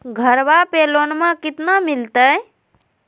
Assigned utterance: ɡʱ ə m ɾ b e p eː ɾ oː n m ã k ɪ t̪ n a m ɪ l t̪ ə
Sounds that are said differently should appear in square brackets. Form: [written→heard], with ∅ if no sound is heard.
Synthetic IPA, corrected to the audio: ɡʱ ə [m→∅] ɾ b [e→a] p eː [ɾ→l] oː n m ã k ɪ t̪ n a m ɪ l t̪ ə